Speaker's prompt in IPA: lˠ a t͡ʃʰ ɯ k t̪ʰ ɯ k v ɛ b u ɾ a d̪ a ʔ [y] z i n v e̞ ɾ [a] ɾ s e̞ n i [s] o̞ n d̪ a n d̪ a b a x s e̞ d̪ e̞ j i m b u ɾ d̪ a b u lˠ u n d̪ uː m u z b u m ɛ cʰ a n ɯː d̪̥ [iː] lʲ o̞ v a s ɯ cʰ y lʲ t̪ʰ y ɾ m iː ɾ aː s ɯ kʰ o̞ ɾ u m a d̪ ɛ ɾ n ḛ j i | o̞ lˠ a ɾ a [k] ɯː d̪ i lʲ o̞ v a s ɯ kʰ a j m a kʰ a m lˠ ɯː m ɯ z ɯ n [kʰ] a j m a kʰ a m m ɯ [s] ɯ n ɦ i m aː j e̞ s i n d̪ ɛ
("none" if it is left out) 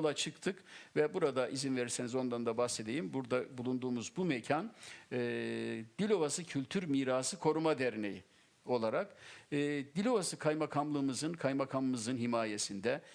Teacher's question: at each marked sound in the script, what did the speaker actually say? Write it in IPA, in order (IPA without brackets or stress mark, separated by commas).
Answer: i, i, z, i, k, kʰ, z